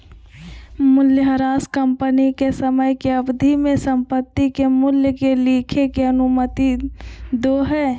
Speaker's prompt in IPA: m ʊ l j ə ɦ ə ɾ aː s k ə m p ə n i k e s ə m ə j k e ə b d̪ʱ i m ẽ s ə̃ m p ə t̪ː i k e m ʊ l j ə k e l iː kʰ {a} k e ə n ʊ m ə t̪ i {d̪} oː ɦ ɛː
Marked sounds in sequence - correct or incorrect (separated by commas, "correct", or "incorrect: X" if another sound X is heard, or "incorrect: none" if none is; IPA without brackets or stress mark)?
incorrect: e, correct